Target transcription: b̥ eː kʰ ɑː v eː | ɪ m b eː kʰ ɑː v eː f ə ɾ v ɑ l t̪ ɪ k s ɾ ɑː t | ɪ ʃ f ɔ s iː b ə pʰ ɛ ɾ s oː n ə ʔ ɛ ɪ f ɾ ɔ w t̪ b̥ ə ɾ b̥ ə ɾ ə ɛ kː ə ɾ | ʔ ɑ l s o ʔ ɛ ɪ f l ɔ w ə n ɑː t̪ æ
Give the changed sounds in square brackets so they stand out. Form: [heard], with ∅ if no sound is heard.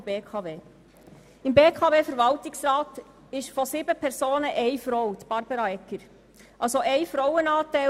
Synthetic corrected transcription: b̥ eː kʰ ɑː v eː | ɪ m b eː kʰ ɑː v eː f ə ɾ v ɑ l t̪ ɪ k s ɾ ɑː t | ɪ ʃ f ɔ s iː b ə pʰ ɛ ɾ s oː n ə ʔ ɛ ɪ f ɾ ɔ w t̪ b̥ [ɑ] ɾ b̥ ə ɾ [ɑ] ɛ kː ə ɾ | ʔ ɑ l s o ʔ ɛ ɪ f [ɾ] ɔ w ə n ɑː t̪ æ